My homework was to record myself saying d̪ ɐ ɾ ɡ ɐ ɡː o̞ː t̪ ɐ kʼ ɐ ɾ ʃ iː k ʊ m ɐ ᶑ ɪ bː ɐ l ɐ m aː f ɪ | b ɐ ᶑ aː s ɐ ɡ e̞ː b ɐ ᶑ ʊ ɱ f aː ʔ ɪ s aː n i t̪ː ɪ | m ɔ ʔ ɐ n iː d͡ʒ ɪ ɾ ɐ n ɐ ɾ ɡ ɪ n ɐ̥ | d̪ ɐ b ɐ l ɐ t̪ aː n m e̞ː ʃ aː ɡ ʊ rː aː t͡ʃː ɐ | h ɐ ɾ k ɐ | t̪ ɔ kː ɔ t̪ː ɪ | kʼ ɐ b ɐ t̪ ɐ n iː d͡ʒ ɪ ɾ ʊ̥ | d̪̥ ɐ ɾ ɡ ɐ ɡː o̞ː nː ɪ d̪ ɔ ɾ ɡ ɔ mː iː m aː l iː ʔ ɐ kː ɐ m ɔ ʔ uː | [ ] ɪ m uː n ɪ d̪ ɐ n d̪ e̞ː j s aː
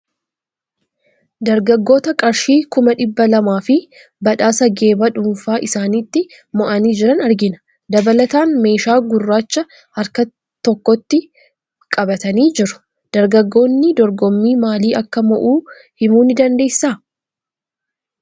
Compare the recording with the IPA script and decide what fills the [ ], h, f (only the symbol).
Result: h